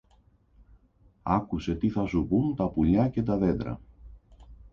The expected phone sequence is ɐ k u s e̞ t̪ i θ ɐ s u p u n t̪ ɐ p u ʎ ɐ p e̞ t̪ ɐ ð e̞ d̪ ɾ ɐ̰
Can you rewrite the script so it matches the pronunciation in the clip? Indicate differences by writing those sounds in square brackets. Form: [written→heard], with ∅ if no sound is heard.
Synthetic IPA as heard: ɐ k u s e̞ t̪ i θ ɐ s u p u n t̪ ɐ p u ʎ ɐ [p→c] e̞ t̪ ɐ ð e̞ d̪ ɾ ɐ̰